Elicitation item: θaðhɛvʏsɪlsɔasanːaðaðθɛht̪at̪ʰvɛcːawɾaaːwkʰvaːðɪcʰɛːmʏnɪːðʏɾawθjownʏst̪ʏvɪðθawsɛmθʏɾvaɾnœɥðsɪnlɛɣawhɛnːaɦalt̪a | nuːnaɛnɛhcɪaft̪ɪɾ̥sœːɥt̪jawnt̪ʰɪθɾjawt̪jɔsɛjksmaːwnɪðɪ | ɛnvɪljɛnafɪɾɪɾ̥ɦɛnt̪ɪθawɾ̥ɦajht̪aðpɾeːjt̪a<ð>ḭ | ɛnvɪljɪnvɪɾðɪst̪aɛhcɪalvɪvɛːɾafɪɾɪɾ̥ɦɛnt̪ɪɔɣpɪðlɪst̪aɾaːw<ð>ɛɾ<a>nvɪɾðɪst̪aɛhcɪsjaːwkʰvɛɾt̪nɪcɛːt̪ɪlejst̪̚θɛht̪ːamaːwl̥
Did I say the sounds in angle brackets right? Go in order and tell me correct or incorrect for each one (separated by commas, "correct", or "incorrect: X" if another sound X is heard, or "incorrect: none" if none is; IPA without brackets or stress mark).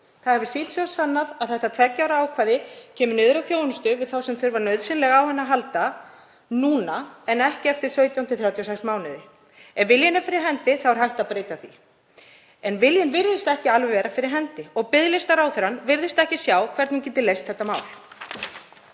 incorrect: θ, incorrect: θ, correct